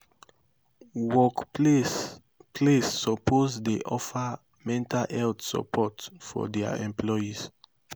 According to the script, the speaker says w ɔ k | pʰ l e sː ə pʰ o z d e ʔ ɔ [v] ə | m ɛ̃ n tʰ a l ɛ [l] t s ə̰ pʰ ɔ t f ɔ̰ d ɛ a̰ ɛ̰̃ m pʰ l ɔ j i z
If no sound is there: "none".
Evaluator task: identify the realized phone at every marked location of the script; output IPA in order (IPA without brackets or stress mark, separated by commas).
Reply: f, l